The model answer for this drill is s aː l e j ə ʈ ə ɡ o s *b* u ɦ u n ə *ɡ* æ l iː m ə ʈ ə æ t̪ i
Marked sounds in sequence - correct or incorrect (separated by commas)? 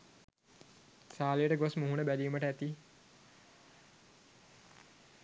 incorrect, incorrect